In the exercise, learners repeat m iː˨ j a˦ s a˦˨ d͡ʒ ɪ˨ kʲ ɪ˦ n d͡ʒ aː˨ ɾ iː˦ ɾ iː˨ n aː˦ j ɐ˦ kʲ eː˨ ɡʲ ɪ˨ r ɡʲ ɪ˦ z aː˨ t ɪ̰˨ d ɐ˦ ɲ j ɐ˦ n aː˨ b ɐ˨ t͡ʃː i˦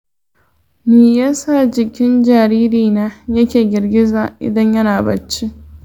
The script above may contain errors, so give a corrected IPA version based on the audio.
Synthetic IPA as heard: m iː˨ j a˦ s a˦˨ d͡ʒ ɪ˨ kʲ ɪ˦ n d͡ʒ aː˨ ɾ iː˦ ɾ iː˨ n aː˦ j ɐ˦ kʲ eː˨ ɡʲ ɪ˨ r ɡʲ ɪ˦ z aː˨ ʔ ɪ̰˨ d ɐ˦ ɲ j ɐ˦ n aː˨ b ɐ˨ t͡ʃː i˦